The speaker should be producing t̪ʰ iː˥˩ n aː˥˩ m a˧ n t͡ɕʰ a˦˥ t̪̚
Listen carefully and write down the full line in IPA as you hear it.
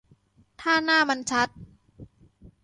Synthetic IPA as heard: t̪ʰ aː˥˩ n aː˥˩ m a˧ n t͡ɕʰ a˦˥ t̪̚